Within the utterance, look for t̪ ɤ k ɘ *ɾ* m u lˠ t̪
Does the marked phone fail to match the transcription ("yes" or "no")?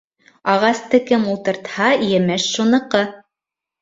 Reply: yes